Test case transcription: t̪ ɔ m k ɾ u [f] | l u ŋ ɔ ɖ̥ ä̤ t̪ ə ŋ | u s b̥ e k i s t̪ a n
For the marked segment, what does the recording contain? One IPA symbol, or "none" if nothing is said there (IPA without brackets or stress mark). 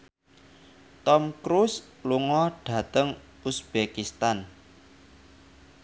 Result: s